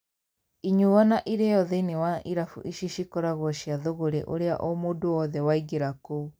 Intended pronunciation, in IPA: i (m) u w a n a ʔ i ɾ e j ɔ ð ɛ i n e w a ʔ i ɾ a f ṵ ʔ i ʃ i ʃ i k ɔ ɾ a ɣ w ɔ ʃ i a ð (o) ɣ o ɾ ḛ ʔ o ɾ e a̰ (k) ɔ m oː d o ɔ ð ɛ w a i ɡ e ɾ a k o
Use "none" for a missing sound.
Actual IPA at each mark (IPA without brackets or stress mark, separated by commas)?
ɲ, o, ʔ